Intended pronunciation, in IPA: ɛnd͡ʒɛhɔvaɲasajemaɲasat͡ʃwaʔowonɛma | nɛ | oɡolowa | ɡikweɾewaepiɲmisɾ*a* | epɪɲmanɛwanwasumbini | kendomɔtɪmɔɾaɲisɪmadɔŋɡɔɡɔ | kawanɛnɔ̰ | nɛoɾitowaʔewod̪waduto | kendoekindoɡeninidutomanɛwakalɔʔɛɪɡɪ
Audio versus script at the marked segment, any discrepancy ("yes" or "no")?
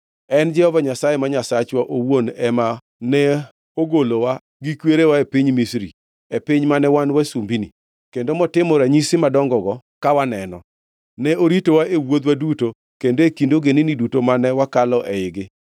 yes